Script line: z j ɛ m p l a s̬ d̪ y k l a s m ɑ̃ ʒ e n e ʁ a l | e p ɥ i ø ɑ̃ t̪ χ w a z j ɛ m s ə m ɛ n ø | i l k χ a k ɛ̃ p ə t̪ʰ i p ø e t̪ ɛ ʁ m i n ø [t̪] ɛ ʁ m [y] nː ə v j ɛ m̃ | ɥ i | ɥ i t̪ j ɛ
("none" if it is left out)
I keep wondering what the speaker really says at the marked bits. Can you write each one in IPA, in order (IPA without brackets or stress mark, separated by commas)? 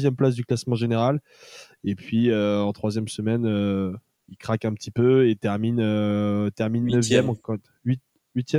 t̪, i